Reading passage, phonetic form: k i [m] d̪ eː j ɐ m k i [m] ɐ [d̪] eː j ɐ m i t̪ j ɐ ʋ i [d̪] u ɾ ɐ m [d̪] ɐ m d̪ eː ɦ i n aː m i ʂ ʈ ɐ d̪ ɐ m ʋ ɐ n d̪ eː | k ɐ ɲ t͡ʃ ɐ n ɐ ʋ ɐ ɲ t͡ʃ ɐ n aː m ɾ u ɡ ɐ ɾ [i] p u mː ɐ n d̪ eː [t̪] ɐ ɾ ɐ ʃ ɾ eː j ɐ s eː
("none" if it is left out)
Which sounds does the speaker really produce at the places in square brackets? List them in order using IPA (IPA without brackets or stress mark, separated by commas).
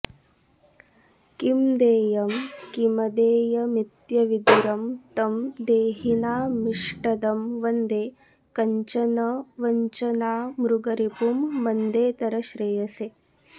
m, m, d̪, d̪, t̪, i, t̪